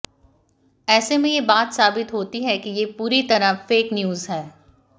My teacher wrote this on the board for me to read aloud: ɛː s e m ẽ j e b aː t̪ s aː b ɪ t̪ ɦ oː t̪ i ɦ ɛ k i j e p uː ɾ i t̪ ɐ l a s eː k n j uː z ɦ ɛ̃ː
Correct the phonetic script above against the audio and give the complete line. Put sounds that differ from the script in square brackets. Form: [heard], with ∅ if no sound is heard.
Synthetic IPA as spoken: ɛː s e m ẽ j e b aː t̪ s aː b ɪ t̪ ɦ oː t̪ i ɦ ɛ k i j e p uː ɾ i t̪ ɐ [ɾ] a [f] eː k n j uː z ɦ [ɛː]